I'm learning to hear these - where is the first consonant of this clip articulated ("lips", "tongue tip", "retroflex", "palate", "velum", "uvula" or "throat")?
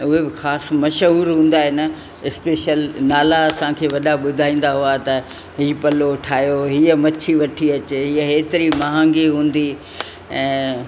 throat